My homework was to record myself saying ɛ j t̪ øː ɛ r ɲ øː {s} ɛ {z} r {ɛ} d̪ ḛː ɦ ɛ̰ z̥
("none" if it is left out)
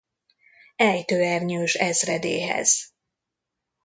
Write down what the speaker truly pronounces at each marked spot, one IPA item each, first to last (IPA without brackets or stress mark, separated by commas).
ʃ, z, ɛ